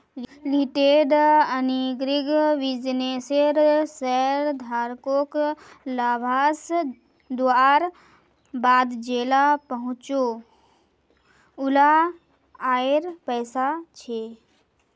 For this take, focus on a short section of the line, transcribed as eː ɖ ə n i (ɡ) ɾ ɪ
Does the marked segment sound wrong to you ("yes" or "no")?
no